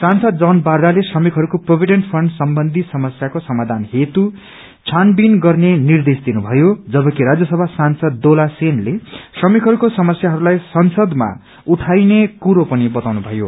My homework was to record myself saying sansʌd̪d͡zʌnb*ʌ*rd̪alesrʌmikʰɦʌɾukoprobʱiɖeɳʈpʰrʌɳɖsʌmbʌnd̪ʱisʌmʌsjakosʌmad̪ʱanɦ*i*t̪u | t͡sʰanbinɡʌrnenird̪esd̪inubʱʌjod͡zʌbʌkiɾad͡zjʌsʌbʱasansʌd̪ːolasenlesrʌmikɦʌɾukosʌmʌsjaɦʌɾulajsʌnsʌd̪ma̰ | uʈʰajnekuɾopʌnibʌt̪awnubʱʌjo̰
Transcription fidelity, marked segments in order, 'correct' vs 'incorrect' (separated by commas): incorrect, incorrect